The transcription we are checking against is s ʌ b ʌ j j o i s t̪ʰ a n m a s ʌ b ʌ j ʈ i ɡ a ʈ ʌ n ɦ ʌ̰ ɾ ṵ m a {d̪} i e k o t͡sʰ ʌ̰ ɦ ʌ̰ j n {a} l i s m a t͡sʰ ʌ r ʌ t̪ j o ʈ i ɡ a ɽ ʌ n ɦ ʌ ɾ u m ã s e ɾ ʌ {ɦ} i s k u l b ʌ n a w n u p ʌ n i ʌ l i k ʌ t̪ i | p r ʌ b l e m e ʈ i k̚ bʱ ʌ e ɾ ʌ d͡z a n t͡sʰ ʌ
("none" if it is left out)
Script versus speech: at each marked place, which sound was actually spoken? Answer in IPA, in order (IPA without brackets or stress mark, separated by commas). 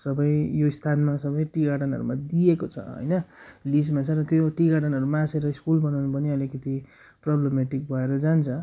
d̪, ʌ, none